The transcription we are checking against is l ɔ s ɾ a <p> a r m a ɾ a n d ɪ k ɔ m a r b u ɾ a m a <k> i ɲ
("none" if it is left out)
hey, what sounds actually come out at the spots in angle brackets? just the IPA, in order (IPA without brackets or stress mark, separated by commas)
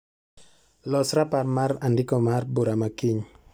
p, k